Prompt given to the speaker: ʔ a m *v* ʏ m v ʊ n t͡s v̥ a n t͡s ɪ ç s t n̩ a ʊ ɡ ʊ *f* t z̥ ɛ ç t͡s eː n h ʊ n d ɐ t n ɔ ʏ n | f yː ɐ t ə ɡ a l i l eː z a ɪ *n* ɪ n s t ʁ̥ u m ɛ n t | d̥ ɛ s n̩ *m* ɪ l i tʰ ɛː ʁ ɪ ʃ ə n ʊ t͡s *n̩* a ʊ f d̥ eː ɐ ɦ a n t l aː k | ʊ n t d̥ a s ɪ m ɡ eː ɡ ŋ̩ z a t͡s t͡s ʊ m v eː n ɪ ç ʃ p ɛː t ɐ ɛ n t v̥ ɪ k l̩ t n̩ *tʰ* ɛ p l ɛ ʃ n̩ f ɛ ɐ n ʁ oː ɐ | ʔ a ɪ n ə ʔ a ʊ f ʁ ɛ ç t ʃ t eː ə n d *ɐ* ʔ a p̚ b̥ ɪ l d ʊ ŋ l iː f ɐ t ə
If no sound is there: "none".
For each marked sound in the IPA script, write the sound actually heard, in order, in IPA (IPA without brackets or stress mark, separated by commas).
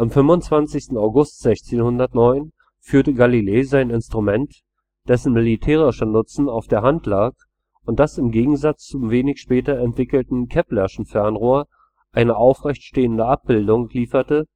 f, s, n, m, n̩, kʰ, ə